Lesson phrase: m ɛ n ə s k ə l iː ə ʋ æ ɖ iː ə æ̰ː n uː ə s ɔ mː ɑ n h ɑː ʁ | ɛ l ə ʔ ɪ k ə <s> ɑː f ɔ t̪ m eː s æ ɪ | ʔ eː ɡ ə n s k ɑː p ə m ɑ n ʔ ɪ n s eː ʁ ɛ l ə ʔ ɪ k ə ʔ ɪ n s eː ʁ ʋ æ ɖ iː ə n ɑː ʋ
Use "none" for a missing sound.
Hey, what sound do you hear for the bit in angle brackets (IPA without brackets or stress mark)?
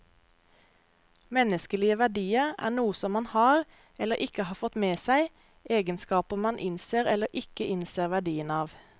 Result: h